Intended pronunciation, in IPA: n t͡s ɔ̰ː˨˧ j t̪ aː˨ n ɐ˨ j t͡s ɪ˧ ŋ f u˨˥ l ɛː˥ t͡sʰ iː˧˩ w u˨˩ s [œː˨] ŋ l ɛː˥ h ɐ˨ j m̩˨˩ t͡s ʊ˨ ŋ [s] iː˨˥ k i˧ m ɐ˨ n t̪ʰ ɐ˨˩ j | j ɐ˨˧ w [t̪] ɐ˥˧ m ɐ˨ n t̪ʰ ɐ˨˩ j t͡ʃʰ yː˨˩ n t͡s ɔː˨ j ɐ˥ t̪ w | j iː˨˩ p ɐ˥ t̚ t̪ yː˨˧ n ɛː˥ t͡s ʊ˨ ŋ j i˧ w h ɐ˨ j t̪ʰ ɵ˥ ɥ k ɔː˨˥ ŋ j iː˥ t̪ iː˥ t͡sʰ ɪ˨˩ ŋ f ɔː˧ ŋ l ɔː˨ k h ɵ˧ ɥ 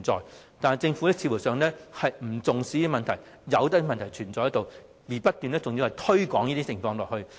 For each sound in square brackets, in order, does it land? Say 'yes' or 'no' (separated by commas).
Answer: yes, yes, yes